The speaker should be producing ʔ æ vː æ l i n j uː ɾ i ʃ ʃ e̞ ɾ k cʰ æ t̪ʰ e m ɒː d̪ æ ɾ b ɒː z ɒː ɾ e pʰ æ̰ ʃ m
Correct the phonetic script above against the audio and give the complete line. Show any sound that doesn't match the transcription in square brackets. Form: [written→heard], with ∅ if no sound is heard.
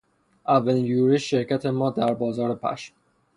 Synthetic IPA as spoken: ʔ æ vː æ l i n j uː ɾ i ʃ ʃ e̞ ɾ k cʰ æ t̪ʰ e m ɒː d̪ æ ɾ b ɒː z ɒː ɾ e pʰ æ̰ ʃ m